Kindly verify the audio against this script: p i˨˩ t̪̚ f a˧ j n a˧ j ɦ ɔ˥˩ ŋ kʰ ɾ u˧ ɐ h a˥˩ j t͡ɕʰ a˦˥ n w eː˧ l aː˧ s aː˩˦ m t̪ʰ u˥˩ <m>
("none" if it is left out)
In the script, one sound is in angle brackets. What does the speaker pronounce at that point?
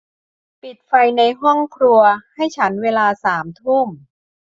m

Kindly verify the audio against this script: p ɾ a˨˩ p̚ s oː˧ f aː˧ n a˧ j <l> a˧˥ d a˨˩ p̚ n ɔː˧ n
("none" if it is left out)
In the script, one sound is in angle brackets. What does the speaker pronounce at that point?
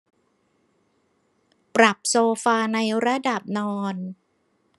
ɾ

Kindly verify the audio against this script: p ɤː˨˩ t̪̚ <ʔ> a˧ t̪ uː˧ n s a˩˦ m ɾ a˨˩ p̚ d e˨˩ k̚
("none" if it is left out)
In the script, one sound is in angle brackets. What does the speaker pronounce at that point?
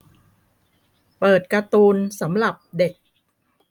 k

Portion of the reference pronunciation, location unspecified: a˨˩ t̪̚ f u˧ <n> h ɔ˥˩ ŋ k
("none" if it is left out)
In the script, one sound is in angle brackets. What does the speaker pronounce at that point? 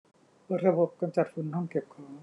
n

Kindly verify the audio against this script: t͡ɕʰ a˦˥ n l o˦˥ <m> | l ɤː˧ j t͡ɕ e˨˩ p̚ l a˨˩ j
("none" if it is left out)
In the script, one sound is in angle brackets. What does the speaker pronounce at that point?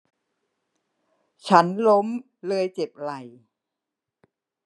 m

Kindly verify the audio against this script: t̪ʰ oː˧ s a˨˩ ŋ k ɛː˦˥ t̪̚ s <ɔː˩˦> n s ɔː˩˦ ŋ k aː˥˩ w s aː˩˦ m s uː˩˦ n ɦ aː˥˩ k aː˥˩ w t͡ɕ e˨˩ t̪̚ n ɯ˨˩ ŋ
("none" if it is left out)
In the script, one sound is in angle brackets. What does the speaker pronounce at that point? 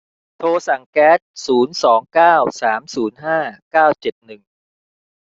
uː˩˦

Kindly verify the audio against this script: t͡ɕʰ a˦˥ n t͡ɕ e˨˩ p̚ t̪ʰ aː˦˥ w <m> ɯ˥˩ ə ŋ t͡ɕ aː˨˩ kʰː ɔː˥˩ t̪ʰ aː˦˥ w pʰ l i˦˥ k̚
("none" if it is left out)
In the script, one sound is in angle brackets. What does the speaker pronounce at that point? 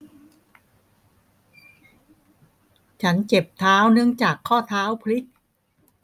n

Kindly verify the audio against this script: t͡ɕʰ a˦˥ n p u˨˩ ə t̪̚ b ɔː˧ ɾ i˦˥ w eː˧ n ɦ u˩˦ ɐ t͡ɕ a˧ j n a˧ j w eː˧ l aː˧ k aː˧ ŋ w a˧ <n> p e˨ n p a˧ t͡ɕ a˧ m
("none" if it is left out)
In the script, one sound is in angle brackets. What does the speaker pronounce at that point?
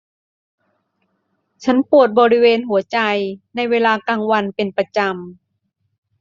n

